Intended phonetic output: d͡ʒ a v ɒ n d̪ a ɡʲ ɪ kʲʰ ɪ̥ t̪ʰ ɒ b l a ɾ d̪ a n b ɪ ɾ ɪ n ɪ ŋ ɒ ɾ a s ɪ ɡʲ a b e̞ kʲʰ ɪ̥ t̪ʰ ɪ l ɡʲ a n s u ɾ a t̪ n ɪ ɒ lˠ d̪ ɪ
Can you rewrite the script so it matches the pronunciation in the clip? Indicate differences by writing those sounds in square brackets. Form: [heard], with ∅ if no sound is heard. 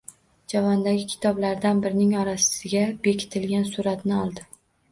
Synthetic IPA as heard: d͡ʒ a v ɒ n d̪ a ɡʲ ɪ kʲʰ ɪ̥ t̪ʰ ɒ b l a ɾ d̪ a n b ɪ ɾ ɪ n ɪ ŋ ɒ ɾ a s ɪ ɡʲ a b e̞ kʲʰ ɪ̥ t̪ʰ ɪ l ɡʲ a n s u ɾ a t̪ n ɪ ɒ lˠ d̪ ɪ